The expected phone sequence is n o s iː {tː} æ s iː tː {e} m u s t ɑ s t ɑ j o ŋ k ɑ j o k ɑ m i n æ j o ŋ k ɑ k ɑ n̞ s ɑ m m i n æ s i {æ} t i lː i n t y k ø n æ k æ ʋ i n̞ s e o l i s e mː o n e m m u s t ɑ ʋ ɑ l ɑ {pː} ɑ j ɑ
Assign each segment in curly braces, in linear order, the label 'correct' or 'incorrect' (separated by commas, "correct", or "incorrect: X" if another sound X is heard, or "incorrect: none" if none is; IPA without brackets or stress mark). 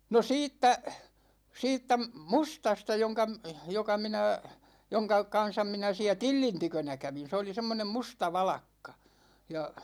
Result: correct, incorrect: æ, correct, incorrect: kː